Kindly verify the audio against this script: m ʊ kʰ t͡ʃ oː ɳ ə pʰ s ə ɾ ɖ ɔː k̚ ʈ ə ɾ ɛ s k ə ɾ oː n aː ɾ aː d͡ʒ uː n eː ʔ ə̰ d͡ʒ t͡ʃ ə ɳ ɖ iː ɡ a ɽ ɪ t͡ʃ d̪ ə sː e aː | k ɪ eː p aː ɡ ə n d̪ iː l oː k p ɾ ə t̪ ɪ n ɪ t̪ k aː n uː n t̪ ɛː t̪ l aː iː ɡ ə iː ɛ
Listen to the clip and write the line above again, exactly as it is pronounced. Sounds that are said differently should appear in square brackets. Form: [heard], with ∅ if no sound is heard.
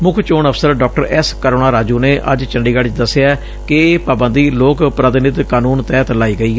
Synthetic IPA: m ʊ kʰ t͡ʃ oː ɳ ə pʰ s ə ɾ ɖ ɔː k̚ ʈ ə ɾ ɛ s k ə ɾ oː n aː ɾ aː d͡ʒ uː n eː ʔ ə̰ d͡ʒ t͡ʃ ə ɳ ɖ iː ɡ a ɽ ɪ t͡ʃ d̪ ə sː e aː | k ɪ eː p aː [b] ə n d̪ iː l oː k p ɾ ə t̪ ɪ n ɪ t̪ k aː n uː n t̪ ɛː t̪ l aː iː ɡ ə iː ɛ

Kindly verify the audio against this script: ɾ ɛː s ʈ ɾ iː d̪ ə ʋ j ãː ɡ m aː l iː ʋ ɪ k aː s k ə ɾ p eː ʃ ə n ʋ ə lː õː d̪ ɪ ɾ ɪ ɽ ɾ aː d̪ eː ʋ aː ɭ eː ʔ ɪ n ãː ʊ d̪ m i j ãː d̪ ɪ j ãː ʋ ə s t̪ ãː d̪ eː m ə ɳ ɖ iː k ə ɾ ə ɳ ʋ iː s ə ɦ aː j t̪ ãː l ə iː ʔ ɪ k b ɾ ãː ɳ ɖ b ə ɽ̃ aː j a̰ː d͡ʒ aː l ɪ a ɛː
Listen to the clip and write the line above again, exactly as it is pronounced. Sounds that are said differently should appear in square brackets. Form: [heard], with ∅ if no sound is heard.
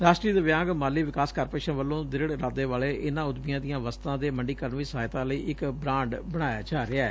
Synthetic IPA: ɾ [aː] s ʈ ɾ iː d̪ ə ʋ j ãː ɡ m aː l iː ʋ ɪ k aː s k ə ɾ p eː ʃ ə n ʋ ə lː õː d̪ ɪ ɾ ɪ ɽ ɾ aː d̪ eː ʋ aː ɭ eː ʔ ɪ n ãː ʊ d̪ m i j ãː d̪ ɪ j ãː ʋ ə s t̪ ãː d̪ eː m ə ɳ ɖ iː k ə ɾ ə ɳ ʋ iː s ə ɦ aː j t̪ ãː l ə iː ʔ ɪ k b ɾ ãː ɳ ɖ b ə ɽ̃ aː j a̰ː d͡ʒ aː [ɾ] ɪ a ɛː

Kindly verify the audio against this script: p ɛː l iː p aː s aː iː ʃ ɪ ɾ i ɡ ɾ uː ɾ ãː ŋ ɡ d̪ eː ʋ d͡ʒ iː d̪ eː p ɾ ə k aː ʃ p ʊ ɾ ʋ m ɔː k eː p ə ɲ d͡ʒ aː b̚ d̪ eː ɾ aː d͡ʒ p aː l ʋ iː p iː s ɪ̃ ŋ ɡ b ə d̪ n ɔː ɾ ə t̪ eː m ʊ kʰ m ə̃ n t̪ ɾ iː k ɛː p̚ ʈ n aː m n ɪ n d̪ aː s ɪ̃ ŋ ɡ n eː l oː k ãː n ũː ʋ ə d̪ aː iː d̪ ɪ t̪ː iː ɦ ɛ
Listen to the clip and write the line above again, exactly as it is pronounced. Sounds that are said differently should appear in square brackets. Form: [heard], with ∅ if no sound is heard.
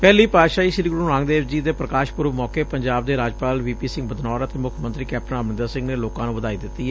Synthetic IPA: p ɛː l iː p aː [ʃ] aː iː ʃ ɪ ɾ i ɡ ɾ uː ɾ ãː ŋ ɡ d̪ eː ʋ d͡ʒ iː d̪ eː p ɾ ə k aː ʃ p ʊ ɾ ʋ m ɔː k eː p ə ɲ d͡ʒ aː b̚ d̪ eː ɾ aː d͡ʒ p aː l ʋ iː p iː s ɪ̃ ŋ ɡ b ə d̪ n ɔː ɾ ə t̪ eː m ʊ kʰ m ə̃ n t̪ ɾ iː k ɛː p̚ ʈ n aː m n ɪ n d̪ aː s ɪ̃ ŋ ɡ n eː l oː k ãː n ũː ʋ ə d̪ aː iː d̪ ɪ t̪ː iː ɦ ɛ

